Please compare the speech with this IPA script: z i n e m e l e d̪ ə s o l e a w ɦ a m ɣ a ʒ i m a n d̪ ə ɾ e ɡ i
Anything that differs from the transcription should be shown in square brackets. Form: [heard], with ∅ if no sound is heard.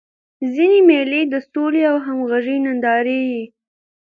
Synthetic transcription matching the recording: z i n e m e l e d̪ ə s o l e a w ɦ a m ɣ a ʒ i [n] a n d̪ [ɑ] ɾ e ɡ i

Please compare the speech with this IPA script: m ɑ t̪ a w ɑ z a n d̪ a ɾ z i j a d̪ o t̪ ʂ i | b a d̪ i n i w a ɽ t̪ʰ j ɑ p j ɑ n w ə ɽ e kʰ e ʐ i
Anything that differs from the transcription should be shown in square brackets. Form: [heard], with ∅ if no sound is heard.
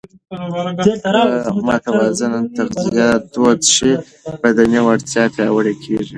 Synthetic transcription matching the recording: m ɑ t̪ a w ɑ z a n [t̪] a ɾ z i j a d̪ o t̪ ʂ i | b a d̪ [a] n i w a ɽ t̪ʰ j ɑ p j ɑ [∅] w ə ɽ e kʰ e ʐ i

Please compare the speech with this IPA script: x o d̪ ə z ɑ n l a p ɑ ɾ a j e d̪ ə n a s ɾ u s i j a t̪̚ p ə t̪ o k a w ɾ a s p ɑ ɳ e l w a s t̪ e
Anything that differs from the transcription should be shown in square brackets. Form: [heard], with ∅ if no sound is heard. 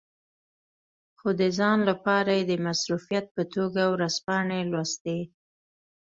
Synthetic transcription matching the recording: x o d̪ ə z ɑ n l a p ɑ ɾ a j e d̪ ə [m] a s ɾ u [f] i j a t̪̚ p ə t̪ o [ɡ] a w ɾ a s p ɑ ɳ e l w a s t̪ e

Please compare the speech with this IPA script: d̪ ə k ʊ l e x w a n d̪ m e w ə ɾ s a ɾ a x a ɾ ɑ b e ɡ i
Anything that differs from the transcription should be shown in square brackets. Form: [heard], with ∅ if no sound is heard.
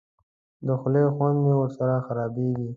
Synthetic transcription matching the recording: d̪ ə [x] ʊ l e x w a n d̪ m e w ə ɾ s a ɾ a x a ɾ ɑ b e ɡ i

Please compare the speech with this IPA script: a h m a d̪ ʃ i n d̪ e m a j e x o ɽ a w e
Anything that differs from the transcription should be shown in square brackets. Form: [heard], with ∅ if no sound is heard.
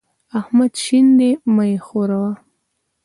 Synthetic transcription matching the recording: a h m a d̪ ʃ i n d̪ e m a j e x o [ɾ] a w [a]

